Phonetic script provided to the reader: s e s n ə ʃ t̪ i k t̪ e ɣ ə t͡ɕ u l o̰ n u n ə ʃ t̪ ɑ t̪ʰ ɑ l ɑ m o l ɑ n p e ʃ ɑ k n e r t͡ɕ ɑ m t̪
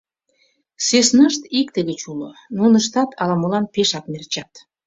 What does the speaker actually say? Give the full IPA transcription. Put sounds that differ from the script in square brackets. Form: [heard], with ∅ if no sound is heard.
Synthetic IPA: s e s n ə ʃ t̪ i k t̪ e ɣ ə t͡ɕ u l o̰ n u n ə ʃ t̪ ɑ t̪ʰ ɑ l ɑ m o l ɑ n p e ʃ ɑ k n e r t͡ɕ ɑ [∅] t̪